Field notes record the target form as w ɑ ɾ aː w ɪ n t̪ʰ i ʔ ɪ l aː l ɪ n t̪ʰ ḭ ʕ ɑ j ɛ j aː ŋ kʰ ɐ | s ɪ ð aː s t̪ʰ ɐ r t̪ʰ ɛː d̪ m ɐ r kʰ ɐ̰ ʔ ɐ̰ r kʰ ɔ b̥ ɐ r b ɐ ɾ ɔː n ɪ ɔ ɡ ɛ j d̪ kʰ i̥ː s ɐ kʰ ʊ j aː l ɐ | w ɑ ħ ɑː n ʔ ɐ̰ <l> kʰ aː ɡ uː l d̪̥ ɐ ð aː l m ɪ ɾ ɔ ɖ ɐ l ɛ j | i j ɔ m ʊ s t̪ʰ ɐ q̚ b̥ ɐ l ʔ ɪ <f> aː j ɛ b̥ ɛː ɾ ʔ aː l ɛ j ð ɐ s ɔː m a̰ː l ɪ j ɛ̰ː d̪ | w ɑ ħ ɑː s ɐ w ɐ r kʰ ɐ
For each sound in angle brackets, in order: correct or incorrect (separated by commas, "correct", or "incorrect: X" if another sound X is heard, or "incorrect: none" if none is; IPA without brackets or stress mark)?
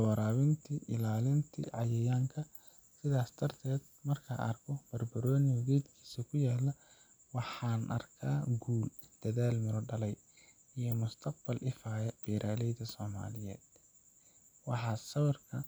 incorrect: r, correct